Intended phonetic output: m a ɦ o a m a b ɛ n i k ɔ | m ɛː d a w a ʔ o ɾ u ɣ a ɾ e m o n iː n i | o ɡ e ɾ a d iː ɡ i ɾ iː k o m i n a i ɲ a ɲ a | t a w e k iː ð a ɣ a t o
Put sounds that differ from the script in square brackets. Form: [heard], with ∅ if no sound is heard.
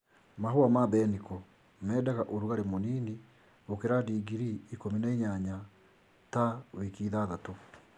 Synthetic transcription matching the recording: m a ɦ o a m a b ɛ n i k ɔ | m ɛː d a [ɣ] a ʔ o ɾ u ɣ a ɾ e m o n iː n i | o [k] e ɾ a d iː ɡ i ɾ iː k o m i n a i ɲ a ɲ a | t a w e k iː ð a [ð] a t o